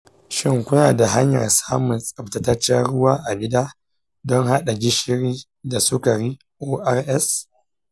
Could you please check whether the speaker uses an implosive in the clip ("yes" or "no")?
yes